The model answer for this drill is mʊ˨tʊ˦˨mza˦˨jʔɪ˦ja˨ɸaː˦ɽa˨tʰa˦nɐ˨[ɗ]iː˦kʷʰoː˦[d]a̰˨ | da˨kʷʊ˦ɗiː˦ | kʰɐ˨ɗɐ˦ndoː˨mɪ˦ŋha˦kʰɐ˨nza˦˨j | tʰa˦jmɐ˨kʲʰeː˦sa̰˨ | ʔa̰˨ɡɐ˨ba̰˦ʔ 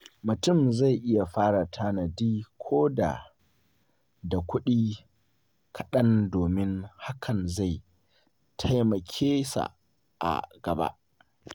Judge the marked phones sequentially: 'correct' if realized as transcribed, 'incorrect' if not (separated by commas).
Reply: incorrect, correct